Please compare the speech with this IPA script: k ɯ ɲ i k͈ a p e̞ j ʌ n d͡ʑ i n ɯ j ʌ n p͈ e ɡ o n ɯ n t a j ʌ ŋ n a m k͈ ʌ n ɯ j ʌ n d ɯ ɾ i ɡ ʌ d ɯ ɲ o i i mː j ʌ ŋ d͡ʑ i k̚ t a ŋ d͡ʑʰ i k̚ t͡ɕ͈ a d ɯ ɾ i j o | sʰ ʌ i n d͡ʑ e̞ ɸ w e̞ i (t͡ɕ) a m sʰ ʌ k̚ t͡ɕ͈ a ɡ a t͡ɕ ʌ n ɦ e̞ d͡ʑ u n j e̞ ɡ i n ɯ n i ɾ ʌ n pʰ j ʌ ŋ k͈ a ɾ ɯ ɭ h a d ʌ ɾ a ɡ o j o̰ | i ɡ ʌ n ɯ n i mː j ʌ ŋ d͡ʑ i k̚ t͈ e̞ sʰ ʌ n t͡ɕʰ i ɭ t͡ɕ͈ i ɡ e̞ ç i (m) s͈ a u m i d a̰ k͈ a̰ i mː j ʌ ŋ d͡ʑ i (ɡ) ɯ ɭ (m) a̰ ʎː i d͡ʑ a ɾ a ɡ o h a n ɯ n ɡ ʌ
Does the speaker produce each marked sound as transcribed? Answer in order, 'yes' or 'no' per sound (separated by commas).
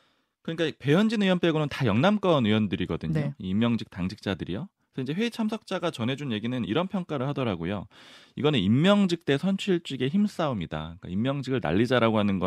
no, yes, yes, no